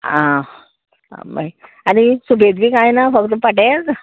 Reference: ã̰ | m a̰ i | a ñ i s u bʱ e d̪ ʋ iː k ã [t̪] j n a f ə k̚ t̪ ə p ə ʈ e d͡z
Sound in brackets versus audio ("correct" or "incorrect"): incorrect